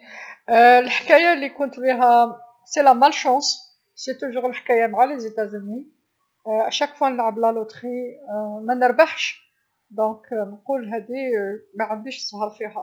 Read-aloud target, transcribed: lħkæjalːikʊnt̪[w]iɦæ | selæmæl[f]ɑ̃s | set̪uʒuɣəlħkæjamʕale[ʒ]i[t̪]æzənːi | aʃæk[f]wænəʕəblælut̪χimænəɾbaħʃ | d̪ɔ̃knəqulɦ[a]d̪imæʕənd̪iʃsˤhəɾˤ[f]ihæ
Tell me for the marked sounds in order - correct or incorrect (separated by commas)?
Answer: incorrect, incorrect, incorrect, correct, correct, incorrect, correct